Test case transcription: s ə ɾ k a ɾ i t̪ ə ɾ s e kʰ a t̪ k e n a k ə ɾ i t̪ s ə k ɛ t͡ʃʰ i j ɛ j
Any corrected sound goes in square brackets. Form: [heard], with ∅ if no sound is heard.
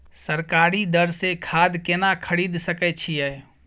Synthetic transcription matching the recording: s ə ɾ k a ɾ i [d̪] ə ɾ s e kʰ a [d̪] k e n a [kʰ] ə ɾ i [d̪] s ə k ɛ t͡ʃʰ i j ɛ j